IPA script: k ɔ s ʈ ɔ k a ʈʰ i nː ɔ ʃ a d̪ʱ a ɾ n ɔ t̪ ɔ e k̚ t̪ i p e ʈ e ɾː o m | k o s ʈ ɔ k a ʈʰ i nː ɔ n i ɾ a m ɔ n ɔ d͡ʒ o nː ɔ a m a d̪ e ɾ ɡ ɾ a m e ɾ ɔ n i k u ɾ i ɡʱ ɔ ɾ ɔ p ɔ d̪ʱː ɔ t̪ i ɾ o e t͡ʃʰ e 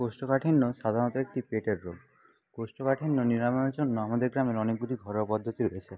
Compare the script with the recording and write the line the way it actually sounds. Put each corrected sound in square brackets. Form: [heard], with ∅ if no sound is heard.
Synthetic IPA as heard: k [o] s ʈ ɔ k a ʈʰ i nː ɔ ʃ a d̪ʱ a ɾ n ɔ t̪ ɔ e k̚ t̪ i p e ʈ e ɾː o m | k o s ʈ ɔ k a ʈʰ i nː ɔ n i ɾ a m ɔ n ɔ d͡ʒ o nː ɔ a m a d̪ e ɾ ɡ ɾ a m e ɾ ɔ n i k u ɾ i ɡʱ ɔ ɾ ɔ p ɔ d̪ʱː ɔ t̪ i ɾ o e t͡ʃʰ e

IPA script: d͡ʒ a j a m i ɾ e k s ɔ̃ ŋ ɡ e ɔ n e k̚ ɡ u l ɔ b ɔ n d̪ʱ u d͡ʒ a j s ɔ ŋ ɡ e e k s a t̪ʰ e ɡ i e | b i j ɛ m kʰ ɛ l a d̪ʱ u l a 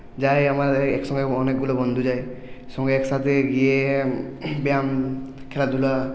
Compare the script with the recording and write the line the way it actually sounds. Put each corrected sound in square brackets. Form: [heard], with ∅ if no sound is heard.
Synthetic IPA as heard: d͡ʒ a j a m [a] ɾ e k s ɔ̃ ŋ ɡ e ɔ n e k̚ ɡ u l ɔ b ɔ n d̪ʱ u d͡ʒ a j s ɔ ŋ ɡ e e k s a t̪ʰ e ɡ i e | b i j [a] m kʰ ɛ l a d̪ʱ u l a

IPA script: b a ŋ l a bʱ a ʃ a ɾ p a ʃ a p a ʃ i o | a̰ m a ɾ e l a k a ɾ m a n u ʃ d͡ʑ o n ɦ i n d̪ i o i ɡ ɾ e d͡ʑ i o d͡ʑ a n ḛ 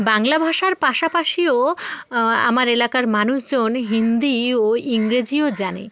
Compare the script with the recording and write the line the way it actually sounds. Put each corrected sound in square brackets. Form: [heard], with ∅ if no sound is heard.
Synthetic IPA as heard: b a ŋ l a bʱ a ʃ a ɾ p a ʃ a p a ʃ i o | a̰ m a ɾ e l a k a ɾ m a n u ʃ d͡ʑ o n ɦ i n d̪ i o i [ŋ] ɾ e d͡ʑ i o d͡ʑ a n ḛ

